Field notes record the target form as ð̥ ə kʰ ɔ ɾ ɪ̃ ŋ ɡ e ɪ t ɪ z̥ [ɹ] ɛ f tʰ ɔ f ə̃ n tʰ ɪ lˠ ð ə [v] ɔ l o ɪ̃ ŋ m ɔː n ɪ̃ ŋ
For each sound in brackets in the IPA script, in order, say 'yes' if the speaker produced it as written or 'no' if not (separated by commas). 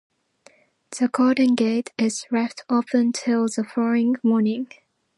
yes, no